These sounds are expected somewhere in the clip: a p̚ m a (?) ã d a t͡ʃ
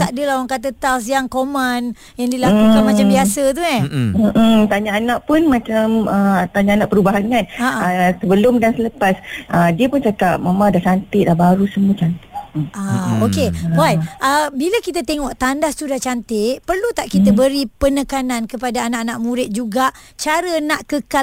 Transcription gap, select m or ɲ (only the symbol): m